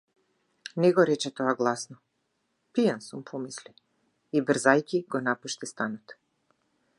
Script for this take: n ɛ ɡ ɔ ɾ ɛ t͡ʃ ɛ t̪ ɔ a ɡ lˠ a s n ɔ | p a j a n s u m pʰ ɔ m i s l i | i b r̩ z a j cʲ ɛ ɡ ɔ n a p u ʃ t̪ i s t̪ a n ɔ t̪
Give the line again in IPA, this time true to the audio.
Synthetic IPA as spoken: n ɛ ɡ ɔ ɾ ɛ t͡ʃ ɛ t̪ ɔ a ɡ lˠ a s n ɔ | p i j a n s u m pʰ ɔ m i s l i | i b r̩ z a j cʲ i ɡ ɔ n a p u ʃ t̪ i s t̪ a n ɔ t̪